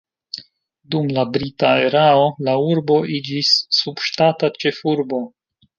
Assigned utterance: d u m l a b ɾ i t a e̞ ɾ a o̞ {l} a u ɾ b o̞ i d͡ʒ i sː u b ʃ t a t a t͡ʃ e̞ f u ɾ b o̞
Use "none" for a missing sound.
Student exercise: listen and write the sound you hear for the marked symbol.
l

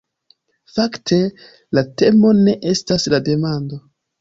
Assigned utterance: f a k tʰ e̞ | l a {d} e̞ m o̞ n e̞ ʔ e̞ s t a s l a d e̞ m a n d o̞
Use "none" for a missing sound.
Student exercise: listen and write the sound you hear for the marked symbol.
t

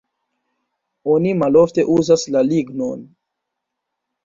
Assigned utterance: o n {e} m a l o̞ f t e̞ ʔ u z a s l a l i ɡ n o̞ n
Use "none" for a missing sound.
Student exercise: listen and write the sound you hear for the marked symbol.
i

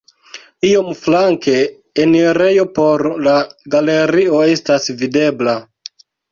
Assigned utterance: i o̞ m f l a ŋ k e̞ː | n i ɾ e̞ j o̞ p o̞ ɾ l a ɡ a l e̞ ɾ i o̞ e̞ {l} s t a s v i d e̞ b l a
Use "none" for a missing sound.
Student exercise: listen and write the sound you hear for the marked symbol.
none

